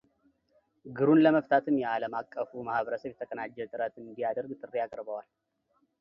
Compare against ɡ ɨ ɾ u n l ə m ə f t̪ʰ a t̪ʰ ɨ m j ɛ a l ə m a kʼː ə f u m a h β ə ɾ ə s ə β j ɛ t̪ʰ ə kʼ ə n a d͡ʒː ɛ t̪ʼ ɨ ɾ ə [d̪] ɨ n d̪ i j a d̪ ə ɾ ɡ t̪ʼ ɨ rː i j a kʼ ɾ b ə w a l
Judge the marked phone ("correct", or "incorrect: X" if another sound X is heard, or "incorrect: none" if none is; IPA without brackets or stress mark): incorrect: t̪